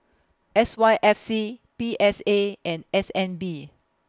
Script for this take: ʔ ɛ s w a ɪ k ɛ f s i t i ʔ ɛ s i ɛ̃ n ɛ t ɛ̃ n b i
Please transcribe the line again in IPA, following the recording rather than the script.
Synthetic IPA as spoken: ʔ ɛ s w a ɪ ʔ ɛ f s i p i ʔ ɛ s e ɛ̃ n ɛ s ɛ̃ n b i